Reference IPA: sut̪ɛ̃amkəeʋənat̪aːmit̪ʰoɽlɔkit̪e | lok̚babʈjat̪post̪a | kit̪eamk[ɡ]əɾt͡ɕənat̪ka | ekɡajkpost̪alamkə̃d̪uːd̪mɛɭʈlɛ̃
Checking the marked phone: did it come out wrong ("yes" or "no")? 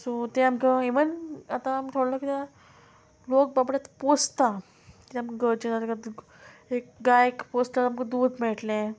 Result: no